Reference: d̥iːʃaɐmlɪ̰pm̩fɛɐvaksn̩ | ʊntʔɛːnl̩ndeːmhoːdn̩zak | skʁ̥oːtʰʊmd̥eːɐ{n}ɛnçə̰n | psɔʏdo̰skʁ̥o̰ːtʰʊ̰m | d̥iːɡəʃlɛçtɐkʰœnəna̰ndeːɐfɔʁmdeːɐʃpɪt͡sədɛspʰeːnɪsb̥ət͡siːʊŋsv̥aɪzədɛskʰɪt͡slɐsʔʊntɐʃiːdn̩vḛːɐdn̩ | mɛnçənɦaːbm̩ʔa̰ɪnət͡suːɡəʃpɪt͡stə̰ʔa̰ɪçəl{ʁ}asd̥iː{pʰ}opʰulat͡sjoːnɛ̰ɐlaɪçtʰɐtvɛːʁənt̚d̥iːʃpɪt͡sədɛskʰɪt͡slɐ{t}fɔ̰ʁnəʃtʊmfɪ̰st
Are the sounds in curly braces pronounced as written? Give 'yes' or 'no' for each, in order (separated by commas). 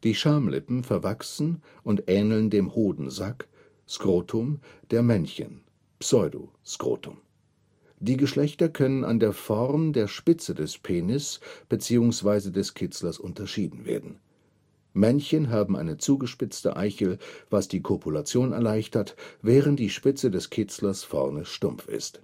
no, no, no, no